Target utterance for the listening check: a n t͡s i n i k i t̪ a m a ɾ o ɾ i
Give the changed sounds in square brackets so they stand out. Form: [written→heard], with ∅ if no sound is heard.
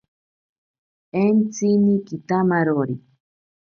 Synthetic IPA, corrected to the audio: [a→e] n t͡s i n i k i t̪ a m a ɾ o ɾ i